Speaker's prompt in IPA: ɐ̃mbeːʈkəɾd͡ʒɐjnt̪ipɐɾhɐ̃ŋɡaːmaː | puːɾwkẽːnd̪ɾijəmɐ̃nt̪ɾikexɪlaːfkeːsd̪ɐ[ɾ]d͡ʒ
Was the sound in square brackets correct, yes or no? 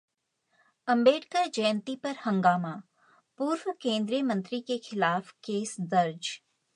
yes